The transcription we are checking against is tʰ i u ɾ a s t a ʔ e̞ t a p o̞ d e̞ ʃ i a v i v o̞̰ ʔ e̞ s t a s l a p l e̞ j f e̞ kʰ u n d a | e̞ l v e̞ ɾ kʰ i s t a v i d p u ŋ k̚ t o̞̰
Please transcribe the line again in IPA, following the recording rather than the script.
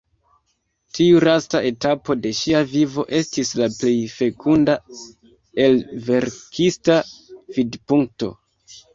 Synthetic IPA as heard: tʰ i u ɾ a s t a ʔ e̞ t a p o̞ d e̞ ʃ i a v i v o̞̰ ʔ e̞ s t i s l a p l e̞ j f e̞ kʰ u n d a | e̞ l v e̞ ɾ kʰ i s t a v i d p u ŋ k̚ t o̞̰